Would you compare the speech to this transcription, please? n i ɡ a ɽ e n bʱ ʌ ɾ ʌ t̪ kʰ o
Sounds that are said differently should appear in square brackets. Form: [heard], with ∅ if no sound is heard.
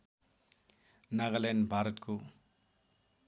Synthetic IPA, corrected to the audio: n [a] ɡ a [l] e n bʱ [a] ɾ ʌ t̪ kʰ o